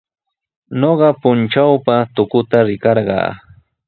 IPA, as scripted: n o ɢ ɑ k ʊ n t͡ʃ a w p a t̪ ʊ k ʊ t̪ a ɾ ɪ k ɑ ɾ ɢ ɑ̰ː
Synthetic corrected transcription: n o ɢ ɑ p ʊ n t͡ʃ a w p a t̪ ʊ k ʊ t̪ a ɾ ɪ k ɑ ɾ ɢ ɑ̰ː